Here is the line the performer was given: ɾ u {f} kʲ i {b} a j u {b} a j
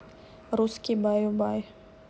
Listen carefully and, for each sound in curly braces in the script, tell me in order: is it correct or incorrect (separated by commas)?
incorrect, correct, correct